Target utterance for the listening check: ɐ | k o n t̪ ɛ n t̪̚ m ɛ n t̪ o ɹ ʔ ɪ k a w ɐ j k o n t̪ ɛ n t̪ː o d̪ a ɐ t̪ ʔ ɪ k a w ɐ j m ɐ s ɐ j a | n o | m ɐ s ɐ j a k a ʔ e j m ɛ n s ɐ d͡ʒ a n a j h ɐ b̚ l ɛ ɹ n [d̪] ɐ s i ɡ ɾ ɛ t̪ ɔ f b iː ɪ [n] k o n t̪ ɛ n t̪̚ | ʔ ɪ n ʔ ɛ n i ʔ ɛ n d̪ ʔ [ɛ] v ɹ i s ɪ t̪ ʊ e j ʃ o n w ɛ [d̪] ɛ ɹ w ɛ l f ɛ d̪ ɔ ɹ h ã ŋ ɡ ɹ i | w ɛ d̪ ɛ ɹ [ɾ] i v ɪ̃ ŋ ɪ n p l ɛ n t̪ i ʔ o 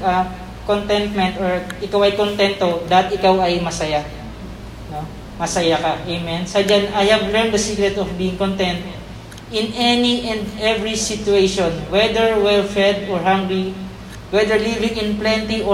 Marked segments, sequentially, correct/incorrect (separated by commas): correct, incorrect, correct, correct, incorrect